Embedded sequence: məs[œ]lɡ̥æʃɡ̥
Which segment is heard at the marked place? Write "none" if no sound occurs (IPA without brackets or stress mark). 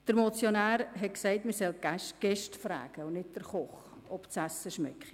ɛ